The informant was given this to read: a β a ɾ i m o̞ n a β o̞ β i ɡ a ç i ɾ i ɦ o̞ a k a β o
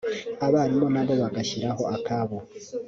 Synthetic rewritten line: a β a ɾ i m o̞ n a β o̞ β a ɡ a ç i ɾ a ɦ o̞ a k a β o